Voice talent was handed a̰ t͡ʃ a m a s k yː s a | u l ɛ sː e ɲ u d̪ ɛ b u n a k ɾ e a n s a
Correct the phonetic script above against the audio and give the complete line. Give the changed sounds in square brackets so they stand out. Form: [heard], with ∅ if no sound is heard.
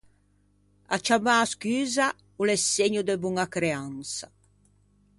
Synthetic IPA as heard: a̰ t͡ʃ a m a s k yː [z] a | u l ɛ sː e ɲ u d̪ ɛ b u [ŋ] a k ɾ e a n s a